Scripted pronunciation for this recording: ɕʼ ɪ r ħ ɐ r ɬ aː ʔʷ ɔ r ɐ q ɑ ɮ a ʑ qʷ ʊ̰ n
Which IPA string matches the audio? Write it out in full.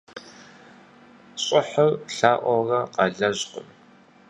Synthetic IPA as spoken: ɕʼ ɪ ħ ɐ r ɬ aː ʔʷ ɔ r ɐ q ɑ ɮ ɐ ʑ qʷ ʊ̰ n